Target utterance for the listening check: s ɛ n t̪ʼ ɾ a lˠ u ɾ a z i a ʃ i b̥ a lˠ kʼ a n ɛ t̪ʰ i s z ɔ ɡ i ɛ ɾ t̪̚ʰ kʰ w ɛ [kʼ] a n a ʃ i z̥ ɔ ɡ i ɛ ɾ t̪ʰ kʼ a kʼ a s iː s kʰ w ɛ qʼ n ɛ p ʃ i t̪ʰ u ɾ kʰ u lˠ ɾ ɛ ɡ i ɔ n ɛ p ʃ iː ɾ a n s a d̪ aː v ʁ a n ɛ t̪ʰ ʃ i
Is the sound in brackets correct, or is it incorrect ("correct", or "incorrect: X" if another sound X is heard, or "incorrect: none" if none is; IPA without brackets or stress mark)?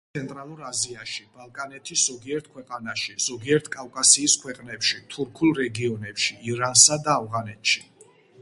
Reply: incorrect: qʼ